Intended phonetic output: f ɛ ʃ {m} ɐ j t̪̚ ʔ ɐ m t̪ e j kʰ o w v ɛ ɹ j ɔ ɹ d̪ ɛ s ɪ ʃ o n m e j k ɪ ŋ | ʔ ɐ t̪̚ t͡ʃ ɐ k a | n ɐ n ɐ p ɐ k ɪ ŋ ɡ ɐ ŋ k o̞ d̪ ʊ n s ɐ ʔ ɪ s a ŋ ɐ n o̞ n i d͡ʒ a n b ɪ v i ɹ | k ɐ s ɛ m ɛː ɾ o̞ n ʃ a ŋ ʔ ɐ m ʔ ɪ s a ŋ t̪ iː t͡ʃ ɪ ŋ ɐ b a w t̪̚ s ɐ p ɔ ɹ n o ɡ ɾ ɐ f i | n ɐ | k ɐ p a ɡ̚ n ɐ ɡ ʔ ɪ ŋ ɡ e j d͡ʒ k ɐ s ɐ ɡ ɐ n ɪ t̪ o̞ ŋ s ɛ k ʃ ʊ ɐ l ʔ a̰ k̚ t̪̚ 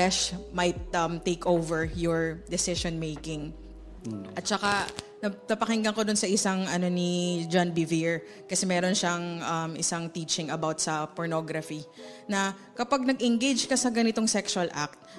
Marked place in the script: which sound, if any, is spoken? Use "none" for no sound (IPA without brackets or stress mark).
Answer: m